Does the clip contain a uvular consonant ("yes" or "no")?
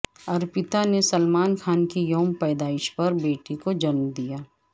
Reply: no